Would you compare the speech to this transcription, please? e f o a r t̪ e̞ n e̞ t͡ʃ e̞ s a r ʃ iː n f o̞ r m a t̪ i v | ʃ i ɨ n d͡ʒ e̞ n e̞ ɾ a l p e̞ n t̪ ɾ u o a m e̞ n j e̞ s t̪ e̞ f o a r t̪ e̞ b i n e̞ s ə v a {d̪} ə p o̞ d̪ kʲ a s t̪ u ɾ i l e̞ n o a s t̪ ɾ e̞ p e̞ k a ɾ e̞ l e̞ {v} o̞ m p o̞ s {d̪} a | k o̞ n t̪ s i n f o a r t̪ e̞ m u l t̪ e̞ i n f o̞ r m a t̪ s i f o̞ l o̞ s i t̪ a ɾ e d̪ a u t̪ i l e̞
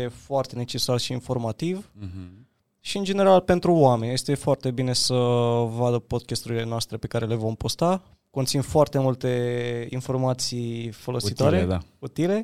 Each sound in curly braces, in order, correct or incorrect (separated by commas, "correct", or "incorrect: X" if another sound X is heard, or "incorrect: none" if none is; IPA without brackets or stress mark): correct, correct, incorrect: t̪